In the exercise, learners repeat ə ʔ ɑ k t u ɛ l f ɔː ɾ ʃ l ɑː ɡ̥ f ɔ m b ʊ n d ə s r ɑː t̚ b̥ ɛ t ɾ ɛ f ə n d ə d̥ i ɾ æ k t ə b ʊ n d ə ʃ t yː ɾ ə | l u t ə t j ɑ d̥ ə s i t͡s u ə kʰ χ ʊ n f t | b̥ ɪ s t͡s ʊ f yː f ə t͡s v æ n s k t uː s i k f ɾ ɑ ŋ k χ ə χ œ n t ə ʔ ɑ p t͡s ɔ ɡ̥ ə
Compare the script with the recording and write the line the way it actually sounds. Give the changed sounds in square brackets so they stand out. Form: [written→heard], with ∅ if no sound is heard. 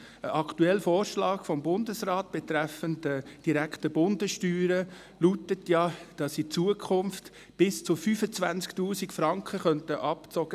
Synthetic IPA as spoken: ə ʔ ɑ k t u ɛ l f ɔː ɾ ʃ l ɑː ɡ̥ f ɔ m b ʊ n d ə s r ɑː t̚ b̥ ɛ t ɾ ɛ f ə n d ə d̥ i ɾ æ k t ə b ʊ n d ə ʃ t yː ɾ ə | l u t ə t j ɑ d̥ [ə→ɑ] s i t͡s u ə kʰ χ ʊ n f t | b̥ ɪ s t͡s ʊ f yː f ə t͡s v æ n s k t uː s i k f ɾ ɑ ŋ k χ ə χ œ n t ə ʔ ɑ p t͡s ɔ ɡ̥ ə

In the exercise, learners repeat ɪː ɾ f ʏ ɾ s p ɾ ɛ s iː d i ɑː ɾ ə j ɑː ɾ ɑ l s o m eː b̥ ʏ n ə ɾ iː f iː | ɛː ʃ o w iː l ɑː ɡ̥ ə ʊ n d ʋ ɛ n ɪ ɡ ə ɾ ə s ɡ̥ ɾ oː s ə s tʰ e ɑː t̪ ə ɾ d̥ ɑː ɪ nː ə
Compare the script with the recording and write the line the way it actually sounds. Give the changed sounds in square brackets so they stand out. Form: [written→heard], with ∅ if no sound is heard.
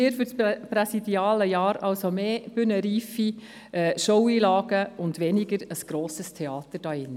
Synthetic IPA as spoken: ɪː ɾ f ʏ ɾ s p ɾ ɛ s [iː→i] d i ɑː [ɾ→l] ə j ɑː ɾ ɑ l s o m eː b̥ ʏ n ə ɾ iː f [iː→i] | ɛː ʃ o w iː l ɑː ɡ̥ ə ʊ n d ʋ ɛ n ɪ ɡ ə ɾ ə s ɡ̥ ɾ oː s ə s tʰ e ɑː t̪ ə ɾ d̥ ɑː ɪ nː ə

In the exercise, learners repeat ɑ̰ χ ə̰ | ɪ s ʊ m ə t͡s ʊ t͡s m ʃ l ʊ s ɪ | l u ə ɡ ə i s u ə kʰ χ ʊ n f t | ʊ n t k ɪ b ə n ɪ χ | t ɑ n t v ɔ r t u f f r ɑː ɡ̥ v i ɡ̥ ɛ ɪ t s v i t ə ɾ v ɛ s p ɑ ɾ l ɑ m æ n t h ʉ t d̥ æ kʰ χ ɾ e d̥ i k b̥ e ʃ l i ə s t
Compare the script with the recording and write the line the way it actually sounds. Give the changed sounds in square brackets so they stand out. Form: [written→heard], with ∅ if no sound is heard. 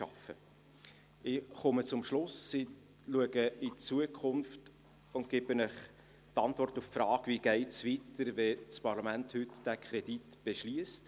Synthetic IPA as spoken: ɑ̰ [χ→f] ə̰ | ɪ [s→χ] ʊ m ə t͡s ʊ [t͡s→∅] m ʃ l ʊ s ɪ | l u ə ɡ ə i [s→t͡s] u ə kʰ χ ʊ n f t | ʊ n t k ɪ b ə n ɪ χ | t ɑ n t v ɔ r t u f f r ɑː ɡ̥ v i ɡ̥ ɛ ɪ t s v i t ə ɾ v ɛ s p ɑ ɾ l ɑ m æ n t h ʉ t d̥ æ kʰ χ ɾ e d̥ i [k→t] b̥ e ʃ l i ə s t

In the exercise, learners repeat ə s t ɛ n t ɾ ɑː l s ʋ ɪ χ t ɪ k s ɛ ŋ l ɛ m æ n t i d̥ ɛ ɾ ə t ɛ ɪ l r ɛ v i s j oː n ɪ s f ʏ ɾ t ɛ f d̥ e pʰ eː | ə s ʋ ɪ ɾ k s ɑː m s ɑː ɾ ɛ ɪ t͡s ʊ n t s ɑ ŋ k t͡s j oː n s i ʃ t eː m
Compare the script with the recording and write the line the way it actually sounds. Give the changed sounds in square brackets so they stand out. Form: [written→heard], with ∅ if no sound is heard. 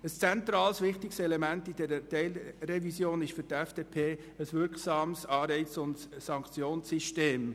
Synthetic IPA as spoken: ə s [t→t͡s] ɛ n t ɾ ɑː l s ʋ ɪ χ t ɪ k s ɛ [ŋ→∅] l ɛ m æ n t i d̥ ɛ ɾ ə t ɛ ɪ l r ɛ v i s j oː n ɪ [s→ʃ] f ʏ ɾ t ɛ f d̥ e pʰ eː | ə s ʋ ɪ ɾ k s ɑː m s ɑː ɾ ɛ ɪ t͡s ʊ n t s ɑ ŋ k t͡s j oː n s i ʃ t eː m

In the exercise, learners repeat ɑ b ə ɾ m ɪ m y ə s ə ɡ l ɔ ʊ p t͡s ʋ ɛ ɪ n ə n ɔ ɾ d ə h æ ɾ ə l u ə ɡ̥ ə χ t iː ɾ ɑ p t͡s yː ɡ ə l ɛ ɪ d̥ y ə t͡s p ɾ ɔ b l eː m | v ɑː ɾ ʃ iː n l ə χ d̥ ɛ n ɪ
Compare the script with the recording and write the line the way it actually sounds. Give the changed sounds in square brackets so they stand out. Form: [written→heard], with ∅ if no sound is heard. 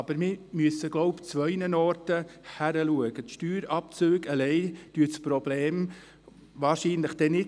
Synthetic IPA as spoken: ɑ b ə ɾ m ɪ m y ə s ə ɡ l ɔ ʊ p t͡s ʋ [ɛ→œ] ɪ n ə n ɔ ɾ [d→t] ə h æ ɾ ə l u ə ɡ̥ ə [χ→ʃ] t [iː→yː] ɾ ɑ p t͡s [yː→øː] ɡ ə l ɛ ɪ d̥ y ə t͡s p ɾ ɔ b l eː m | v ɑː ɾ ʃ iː n l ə χ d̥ ɛ n ɪ

